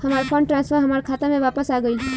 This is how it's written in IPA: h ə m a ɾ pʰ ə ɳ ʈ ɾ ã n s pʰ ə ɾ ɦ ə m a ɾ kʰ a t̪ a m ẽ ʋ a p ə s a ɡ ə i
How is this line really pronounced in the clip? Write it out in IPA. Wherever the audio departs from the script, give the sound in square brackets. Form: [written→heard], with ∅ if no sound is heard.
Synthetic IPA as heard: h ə m a ɾ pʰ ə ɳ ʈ ɾ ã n s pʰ ə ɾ ɦ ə m a ɾ kʰ a t̪ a m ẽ ʋ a p ə s a ɡ ə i